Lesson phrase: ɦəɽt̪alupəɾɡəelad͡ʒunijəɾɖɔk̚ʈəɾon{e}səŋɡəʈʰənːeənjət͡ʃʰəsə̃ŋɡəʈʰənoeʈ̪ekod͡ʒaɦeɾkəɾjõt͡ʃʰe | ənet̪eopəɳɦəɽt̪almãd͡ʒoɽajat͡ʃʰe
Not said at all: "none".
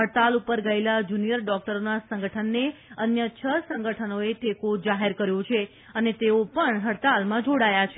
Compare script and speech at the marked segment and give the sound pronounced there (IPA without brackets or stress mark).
a